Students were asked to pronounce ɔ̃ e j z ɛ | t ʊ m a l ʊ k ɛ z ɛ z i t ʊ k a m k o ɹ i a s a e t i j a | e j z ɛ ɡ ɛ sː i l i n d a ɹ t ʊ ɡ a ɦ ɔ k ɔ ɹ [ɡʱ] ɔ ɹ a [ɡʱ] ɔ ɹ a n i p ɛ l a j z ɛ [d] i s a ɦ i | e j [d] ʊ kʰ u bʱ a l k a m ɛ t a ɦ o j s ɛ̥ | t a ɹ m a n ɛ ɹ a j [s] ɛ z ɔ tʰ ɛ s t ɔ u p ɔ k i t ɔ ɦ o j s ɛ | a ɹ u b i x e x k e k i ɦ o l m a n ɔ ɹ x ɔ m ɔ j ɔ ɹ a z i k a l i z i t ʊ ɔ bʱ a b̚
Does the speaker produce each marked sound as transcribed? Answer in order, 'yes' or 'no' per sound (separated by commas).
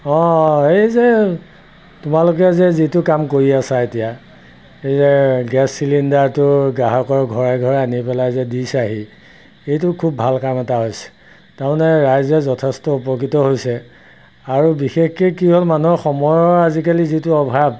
yes, yes, yes, no, no